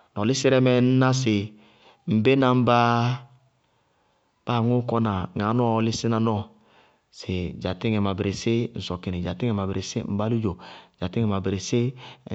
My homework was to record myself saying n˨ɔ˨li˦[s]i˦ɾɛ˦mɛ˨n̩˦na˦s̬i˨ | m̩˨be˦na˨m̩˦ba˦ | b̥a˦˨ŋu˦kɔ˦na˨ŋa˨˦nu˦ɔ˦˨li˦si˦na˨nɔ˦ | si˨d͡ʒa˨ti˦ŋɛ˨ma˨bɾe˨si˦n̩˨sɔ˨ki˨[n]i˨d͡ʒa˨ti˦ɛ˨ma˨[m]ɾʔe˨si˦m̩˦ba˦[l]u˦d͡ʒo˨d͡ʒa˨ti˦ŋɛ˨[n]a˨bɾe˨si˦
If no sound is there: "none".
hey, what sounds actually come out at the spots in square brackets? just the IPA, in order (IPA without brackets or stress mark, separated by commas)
s, n, b, l, m